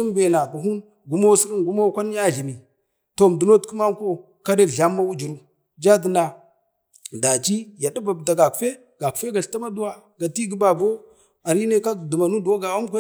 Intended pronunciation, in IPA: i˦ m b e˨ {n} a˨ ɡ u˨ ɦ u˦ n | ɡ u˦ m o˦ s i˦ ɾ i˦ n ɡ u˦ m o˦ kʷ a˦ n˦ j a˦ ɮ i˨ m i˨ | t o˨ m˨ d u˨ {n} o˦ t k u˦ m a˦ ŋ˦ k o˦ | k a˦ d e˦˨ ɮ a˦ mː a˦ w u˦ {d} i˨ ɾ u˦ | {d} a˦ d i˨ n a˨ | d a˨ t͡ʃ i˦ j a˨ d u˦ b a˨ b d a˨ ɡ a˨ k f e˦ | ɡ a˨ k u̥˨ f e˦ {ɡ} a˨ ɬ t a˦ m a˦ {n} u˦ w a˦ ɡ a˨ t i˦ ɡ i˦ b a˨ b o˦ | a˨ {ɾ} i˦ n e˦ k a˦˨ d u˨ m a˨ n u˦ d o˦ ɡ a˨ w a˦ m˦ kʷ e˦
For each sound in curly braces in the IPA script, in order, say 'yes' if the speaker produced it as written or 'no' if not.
yes, yes, no, no, yes, no, yes

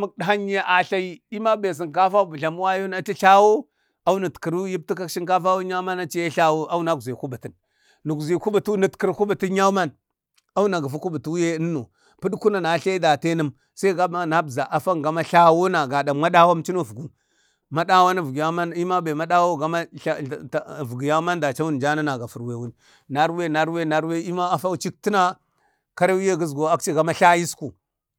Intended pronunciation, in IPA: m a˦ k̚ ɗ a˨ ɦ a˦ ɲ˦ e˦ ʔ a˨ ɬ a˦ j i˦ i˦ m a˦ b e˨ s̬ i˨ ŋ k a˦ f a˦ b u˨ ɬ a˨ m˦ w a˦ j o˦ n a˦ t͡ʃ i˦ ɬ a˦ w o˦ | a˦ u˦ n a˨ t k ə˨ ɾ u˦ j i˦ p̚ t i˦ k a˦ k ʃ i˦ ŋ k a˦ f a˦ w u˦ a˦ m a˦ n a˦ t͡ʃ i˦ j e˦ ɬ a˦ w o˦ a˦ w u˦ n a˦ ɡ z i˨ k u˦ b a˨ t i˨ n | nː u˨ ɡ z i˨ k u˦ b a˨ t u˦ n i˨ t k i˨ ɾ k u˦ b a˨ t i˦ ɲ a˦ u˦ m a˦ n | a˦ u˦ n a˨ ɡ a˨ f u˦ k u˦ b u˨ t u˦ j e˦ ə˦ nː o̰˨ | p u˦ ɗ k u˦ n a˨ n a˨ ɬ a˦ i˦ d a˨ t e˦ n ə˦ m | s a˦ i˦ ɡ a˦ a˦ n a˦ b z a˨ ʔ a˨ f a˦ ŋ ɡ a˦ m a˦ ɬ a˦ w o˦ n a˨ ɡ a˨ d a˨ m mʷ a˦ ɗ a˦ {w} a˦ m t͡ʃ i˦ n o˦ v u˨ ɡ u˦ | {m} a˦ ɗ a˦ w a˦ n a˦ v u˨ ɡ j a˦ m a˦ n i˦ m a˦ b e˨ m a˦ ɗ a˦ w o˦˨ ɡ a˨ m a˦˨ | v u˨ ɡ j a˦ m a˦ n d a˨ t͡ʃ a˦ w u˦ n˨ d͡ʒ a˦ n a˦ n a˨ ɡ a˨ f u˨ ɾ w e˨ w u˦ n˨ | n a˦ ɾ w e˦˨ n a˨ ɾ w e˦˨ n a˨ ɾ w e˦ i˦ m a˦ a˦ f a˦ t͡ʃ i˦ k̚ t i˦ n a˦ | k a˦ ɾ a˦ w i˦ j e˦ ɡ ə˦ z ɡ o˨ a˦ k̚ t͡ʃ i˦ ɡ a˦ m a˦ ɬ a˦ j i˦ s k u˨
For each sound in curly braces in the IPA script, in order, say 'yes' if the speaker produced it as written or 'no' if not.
yes, yes

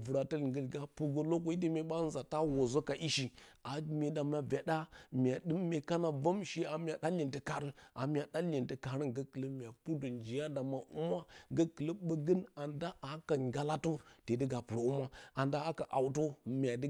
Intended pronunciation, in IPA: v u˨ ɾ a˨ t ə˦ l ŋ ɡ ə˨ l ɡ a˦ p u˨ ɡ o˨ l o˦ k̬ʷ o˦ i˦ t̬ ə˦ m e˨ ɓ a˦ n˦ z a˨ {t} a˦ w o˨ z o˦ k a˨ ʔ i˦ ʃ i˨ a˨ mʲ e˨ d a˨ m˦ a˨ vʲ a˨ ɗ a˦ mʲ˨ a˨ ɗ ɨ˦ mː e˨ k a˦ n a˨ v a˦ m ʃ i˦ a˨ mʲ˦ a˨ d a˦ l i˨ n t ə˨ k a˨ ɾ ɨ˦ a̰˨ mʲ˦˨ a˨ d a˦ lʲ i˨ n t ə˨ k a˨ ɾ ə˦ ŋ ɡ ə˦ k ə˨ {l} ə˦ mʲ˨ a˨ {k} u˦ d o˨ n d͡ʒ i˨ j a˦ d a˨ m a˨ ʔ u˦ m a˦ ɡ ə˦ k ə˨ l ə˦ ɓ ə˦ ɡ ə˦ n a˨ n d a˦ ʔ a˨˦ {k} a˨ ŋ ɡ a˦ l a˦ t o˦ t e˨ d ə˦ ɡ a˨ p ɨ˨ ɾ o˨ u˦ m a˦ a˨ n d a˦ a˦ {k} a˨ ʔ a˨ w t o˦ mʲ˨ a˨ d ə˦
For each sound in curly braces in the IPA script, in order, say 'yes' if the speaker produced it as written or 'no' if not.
yes, yes, no, yes, yes

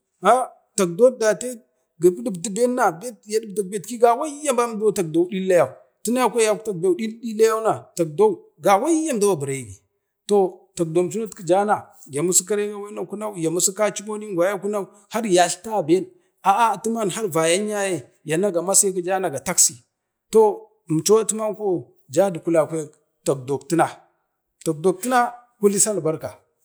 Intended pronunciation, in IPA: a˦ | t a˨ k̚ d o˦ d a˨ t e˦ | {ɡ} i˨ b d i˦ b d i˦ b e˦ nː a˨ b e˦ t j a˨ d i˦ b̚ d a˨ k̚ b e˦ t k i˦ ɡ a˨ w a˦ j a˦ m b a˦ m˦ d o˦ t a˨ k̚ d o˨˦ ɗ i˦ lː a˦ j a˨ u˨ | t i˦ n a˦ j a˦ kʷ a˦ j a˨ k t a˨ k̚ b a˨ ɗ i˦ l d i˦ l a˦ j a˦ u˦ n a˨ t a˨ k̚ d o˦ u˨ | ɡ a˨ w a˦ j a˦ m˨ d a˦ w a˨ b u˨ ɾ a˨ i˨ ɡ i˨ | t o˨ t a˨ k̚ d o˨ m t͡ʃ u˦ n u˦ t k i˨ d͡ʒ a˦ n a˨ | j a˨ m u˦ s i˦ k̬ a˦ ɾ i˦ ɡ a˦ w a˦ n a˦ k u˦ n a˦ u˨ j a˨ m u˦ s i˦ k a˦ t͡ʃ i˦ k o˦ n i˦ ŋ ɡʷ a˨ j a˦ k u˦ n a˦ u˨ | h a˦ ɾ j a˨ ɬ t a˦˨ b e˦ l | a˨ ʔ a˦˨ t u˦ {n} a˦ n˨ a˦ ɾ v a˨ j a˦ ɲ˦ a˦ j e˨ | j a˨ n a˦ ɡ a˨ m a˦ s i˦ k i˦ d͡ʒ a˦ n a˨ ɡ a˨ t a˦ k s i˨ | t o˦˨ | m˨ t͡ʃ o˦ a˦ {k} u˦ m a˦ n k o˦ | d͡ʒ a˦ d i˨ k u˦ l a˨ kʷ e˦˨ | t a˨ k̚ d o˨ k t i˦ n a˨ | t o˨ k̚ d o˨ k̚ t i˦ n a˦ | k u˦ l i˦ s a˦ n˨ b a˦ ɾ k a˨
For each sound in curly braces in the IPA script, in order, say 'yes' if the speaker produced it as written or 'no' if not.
yes, no, no

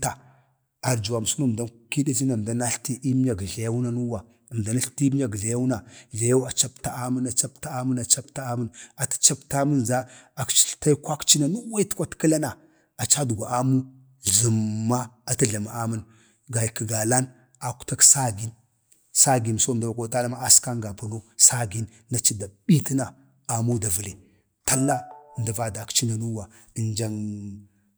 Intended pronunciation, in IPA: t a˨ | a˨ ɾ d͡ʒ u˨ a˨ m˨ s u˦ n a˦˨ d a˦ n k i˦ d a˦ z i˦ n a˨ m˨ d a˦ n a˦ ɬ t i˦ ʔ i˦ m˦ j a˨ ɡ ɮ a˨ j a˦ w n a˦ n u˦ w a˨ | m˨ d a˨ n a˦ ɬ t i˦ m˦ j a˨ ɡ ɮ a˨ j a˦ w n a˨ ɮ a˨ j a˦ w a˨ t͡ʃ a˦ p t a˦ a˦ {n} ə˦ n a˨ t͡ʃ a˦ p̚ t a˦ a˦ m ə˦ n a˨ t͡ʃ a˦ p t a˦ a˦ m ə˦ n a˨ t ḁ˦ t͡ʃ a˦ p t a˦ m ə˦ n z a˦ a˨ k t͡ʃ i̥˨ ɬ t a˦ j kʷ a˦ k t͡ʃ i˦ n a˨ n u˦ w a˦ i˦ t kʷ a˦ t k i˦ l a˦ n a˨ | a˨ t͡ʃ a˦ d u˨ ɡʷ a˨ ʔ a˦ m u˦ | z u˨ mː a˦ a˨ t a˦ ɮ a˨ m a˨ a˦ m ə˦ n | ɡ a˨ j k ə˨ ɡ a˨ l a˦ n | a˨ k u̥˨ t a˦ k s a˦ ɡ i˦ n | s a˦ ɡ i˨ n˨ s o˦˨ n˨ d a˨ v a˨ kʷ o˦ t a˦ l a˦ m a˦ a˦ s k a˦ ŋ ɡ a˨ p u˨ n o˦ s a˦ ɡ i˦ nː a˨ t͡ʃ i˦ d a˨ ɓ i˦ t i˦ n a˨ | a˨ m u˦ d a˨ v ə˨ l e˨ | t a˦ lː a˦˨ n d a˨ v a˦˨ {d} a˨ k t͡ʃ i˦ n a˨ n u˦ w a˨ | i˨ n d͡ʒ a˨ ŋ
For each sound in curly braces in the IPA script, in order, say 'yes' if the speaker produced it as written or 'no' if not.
no, yes

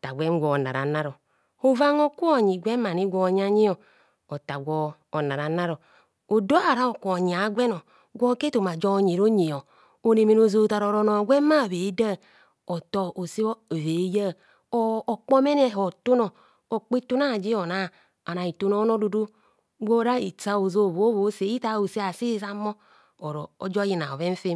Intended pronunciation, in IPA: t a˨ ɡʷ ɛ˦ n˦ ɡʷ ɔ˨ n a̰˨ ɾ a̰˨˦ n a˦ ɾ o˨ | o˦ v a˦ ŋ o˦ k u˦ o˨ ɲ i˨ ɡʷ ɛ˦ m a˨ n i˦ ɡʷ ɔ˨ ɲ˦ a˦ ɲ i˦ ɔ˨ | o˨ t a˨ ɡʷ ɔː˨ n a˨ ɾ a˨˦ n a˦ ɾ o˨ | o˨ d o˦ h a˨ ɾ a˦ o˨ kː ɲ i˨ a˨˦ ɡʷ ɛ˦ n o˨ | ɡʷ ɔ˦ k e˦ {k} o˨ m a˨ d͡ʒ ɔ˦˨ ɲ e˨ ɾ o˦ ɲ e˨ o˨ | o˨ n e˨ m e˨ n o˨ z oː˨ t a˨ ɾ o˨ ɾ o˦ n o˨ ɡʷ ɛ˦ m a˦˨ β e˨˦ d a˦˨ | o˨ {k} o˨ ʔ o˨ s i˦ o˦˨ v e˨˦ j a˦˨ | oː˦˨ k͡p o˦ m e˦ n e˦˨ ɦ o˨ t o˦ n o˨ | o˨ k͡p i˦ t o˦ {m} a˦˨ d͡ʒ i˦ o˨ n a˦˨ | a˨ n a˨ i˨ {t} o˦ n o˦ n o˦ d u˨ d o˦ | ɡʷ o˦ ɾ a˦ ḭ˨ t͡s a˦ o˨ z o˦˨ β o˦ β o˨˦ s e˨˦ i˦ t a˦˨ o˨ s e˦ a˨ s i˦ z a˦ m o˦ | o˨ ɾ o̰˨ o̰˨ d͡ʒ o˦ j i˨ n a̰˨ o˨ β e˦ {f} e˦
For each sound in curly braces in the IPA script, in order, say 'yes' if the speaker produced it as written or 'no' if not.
no, no, no, yes, yes

